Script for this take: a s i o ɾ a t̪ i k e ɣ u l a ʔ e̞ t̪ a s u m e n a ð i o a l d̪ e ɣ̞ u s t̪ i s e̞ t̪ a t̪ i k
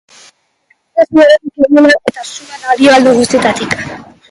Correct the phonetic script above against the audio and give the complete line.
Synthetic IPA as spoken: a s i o ɾ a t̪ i k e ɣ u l a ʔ e̞ t̪ a s u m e n a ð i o a l d̪ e ɣ̞ u s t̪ i e̞ t̪ a t̪ i k